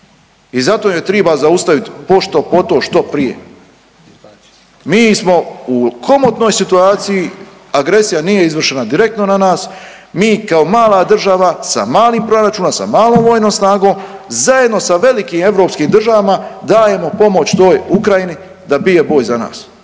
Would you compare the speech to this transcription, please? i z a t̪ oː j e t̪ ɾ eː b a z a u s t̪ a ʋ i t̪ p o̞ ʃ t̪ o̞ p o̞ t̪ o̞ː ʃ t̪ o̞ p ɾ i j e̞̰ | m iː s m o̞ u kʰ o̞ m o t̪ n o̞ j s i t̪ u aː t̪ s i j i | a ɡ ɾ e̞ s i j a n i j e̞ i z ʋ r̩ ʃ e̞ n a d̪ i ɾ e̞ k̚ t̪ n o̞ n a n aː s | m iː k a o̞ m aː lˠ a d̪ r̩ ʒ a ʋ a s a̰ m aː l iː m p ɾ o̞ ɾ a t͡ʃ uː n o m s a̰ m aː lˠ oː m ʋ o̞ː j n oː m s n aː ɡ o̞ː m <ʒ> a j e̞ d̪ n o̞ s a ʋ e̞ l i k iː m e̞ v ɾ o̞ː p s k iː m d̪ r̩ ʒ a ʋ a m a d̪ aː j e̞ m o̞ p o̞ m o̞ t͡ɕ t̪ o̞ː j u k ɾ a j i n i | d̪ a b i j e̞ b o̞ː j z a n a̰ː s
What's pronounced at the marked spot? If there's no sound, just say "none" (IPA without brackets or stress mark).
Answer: z